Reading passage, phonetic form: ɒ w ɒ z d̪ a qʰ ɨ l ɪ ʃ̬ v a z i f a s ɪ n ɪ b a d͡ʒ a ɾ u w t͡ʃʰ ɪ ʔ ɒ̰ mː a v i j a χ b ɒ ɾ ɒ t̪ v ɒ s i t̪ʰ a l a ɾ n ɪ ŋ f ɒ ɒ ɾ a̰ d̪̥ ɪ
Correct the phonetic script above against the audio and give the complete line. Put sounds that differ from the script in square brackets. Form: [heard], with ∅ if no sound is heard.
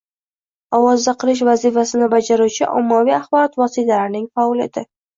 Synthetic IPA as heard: ɒ w ɒ z d̪ a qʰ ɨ l ɪ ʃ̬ v a z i f a s ɪ n ɪ b a d͡ʒ a ɾ u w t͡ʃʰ ɪ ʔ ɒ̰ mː a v i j a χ b ɒ ɾ ɒ t̪ v ɒ s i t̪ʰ a l a ɾ n ɪ ŋ f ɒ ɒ [l] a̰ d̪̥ ɪ